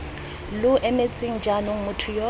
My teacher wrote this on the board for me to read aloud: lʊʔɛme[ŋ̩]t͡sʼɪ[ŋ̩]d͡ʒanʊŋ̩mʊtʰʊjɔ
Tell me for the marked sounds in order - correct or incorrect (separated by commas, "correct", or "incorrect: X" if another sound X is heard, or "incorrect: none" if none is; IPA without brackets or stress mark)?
incorrect: none, correct